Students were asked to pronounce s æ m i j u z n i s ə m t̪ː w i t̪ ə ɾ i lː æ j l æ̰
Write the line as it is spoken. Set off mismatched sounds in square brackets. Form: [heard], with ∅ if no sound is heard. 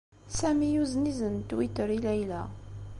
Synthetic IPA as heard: s æ m i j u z n i [z] ə [n] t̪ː w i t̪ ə ɾ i [l] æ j l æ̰